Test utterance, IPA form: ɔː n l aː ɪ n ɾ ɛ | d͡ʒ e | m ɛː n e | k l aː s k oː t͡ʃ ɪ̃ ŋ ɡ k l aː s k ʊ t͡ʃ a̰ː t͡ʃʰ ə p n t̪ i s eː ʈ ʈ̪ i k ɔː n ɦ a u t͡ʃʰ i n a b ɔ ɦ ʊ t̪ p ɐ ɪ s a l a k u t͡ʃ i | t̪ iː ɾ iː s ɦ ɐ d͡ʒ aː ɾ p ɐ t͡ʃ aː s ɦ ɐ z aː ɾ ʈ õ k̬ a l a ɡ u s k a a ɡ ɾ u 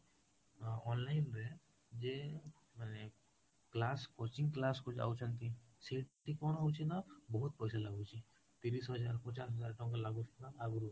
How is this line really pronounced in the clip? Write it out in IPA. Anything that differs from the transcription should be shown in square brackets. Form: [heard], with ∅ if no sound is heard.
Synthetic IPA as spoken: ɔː n l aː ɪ n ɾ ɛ | d͡ʒ e | m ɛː n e | k l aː s k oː t͡ʃ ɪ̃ ŋ ɡ k l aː s k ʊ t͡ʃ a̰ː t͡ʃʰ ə [∅] n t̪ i s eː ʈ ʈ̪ i k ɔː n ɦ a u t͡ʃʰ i n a b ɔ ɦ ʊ t̪ p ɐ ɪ s a l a [ɡ] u t͡ʃ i | t̪ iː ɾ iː s ɦ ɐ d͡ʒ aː ɾ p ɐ t͡ʃ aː s ɦ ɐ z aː ɾ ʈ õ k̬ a l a ɡ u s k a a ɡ ɾ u